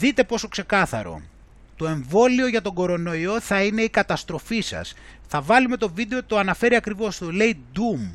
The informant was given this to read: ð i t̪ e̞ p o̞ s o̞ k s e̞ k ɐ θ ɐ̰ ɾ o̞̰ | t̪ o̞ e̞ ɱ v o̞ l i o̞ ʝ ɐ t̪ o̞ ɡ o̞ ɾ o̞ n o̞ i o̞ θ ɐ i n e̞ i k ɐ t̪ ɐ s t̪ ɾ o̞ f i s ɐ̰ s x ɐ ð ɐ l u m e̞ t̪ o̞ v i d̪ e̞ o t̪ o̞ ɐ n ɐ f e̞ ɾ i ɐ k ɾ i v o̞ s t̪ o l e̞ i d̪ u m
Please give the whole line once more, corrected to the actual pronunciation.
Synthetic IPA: ð i t̪ e̞ p o̞ s o̞ k s e̞ k ɐ θ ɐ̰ ɾ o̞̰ | t̪ o̞ e̞ ɱ v o̞ l i o̞ ʝ ɐ t̪ o̞ ɡ o̞ ɾ o̞ n o̞ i o̞ θ ɐ i n e̞ i k ɐ t̪ ɐ s t̪ ɾ o̞ f i s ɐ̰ s θ ɐ v ɐ l u m e̞ t̪ o̞ v i d̪ e̞ o t̪ o̞ ɐ n ɐ f e̞ ɾ i ɐ k ɾ i v o̞ s t̪ o l e̞ i d̪ u m